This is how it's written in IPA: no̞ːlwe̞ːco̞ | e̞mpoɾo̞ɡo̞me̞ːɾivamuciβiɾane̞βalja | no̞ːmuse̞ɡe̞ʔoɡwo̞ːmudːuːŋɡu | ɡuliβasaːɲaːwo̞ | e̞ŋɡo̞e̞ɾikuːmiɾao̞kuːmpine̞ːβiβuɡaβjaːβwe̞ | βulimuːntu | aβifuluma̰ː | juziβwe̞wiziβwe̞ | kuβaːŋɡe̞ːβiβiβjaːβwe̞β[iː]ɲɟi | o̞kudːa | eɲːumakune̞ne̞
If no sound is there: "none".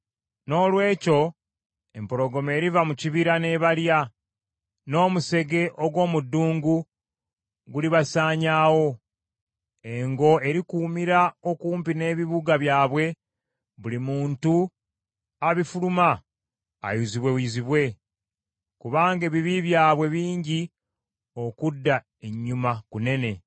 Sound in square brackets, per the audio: iː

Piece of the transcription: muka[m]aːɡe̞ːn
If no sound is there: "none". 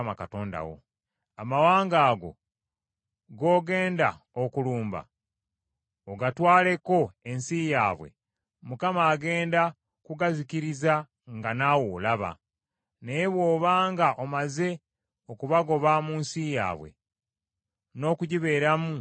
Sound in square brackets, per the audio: m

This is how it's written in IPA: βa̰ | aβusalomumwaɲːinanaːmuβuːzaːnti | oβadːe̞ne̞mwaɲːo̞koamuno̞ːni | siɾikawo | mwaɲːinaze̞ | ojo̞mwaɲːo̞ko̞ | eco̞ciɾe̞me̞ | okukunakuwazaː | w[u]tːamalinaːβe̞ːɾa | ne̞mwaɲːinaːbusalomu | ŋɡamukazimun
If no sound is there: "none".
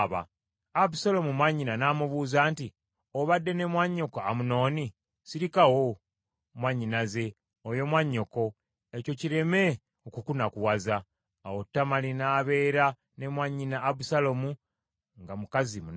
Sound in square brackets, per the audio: o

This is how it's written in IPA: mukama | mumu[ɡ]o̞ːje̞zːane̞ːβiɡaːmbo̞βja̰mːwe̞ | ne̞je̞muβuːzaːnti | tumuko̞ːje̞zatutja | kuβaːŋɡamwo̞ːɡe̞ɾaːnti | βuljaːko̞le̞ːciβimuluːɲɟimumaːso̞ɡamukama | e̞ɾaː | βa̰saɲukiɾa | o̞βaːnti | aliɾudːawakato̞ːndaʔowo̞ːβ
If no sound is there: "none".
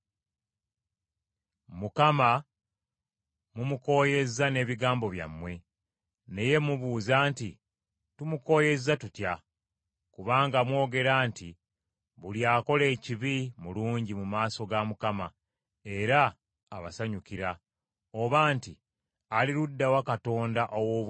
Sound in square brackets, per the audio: k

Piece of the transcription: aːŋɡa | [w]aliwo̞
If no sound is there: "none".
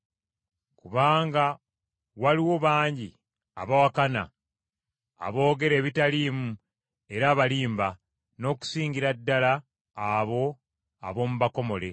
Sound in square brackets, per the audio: w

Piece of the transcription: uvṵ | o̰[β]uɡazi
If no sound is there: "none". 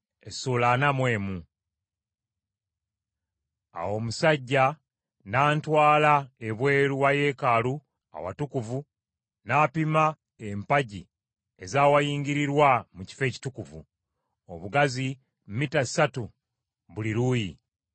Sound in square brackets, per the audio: β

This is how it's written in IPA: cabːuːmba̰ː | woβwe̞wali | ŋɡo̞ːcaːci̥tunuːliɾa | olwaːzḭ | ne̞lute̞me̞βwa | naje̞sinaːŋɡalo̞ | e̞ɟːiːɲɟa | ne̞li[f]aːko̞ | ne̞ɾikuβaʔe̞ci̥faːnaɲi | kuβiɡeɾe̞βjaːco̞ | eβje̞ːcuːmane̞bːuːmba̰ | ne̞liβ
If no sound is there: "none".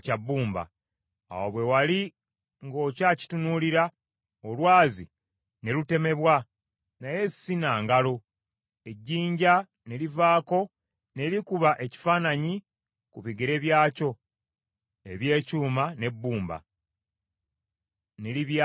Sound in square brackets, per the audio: v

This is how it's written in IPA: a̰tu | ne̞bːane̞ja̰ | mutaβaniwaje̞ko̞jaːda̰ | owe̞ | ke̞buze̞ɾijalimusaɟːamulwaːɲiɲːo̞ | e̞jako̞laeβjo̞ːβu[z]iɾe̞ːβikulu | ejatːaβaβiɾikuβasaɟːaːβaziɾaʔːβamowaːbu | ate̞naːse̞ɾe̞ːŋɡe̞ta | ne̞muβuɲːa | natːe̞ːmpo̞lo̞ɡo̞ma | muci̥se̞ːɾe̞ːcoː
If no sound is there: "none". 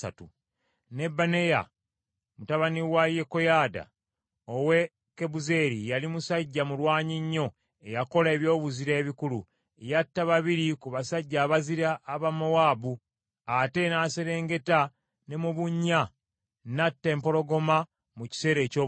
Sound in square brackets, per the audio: z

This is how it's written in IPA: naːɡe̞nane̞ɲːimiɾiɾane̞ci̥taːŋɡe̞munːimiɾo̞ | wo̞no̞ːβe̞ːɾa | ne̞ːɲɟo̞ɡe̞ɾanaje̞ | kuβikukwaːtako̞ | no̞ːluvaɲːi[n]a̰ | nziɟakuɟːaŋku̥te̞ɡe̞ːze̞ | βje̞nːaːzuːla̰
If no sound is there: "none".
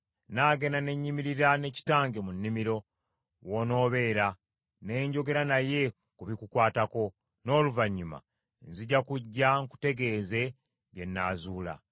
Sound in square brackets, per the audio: m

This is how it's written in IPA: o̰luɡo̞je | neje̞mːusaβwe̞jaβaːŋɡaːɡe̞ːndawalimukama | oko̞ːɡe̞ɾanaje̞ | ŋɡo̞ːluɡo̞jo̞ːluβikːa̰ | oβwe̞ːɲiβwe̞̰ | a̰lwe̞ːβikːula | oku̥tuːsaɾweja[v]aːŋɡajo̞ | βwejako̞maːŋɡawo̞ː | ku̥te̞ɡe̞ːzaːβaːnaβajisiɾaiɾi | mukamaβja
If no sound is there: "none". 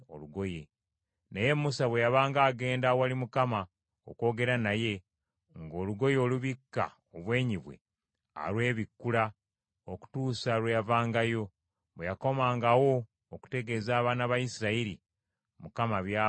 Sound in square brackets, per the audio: v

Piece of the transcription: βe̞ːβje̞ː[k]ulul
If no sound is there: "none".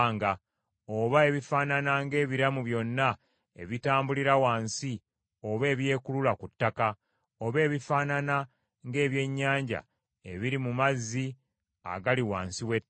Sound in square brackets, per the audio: k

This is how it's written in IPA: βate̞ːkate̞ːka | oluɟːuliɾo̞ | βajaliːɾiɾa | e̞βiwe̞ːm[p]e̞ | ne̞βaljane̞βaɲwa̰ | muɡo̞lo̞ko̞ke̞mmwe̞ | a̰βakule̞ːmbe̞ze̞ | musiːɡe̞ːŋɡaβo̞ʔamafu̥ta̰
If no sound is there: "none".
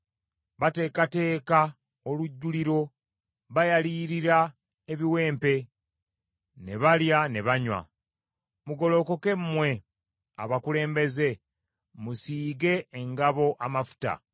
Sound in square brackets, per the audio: p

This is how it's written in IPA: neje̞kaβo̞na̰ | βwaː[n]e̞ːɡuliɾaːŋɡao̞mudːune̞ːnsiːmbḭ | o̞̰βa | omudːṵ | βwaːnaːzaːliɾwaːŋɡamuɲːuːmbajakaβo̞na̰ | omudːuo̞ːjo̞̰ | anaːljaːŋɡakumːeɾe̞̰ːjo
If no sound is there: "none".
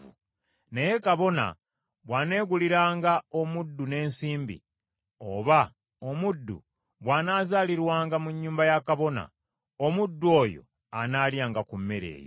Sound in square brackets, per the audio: n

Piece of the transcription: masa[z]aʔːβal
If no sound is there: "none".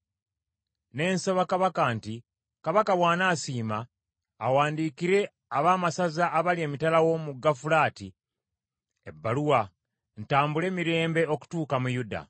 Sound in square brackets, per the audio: z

